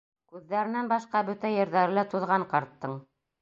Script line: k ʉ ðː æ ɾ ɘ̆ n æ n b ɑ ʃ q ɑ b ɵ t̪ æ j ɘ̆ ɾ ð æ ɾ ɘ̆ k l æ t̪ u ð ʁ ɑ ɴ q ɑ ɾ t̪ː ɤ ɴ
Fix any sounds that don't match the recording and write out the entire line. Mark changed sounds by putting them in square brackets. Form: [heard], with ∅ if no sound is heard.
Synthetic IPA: k ʉ ðː æ ɾ ɘ̆ n æ n b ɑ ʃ q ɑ b ɵ t̪ æ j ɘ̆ ɾ ð æ ɾ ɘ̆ [∅] l æ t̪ u ð ʁ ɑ ɴ q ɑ ɾ t̪ː ɤ ɴ